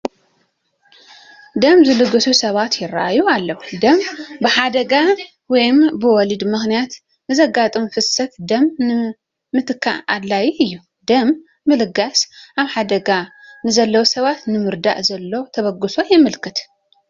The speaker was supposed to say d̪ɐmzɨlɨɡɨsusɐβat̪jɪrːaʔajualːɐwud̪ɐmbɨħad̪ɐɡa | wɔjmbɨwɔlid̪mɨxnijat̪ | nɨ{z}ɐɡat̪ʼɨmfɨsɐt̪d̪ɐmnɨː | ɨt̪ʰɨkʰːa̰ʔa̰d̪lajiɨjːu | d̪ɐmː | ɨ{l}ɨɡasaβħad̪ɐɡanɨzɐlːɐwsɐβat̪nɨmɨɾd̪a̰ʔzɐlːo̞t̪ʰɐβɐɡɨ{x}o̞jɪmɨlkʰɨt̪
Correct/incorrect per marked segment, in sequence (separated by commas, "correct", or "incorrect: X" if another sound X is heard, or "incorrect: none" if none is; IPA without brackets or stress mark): correct, correct, incorrect: s